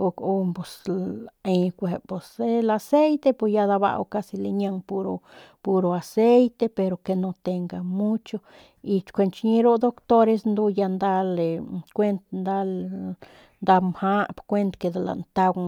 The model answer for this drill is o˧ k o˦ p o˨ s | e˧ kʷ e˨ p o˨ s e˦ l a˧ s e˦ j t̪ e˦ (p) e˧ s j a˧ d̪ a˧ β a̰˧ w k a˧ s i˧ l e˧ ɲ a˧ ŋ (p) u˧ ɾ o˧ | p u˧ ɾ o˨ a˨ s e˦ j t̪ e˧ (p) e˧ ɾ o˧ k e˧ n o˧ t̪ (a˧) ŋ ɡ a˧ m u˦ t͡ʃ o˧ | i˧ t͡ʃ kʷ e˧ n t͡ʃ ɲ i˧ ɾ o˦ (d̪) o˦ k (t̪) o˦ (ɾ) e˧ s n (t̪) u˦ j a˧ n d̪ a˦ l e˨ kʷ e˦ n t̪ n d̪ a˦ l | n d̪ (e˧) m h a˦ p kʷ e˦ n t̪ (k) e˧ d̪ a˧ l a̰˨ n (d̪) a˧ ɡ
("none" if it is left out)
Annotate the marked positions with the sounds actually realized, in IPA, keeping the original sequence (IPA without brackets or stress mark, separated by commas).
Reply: p, p, p, e˧, d̪, t̪, ɾ, d̪, a˧, k, t̪